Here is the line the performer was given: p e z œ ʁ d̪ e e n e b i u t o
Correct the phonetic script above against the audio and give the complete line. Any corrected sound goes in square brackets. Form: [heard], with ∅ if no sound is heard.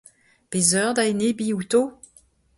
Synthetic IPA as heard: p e z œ ʁ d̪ [a] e n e b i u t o